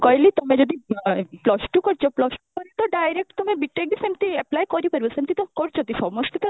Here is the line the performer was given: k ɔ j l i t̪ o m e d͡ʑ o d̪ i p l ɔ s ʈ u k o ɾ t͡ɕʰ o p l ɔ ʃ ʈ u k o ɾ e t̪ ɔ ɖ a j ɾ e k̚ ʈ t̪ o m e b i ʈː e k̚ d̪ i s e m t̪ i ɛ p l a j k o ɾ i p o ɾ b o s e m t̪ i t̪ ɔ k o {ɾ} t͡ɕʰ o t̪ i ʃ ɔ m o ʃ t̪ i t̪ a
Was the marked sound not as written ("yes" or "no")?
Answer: no